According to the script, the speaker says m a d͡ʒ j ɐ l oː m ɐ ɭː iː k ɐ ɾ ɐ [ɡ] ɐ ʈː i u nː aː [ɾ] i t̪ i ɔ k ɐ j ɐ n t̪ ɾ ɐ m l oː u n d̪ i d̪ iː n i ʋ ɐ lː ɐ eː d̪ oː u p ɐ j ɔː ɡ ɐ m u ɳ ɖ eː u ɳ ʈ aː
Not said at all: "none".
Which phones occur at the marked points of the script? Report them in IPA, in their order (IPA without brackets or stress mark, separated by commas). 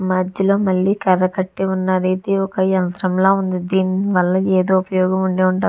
k, ɾ